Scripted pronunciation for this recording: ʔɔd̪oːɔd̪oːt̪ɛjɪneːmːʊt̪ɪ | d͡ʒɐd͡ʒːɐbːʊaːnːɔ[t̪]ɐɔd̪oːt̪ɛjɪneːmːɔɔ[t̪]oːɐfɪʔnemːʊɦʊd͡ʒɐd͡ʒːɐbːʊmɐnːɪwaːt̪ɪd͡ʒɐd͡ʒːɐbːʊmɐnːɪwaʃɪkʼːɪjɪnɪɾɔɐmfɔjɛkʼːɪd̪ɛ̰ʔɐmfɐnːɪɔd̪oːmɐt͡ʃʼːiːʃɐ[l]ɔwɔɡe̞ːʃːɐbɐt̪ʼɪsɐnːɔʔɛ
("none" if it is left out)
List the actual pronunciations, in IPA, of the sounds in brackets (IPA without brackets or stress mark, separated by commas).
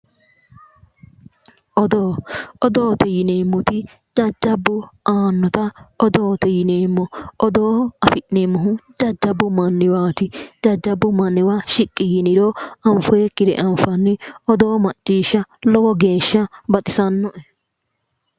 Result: t̪, d̪, l